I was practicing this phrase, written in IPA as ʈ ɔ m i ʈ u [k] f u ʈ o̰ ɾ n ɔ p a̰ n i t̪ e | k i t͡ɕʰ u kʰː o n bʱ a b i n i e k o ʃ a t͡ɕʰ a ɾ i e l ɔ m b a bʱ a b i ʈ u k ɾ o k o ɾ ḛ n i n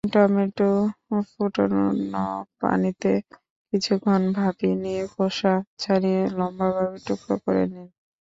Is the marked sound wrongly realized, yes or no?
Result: yes